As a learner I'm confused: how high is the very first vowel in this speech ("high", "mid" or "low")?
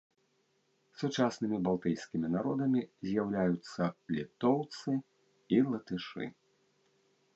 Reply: high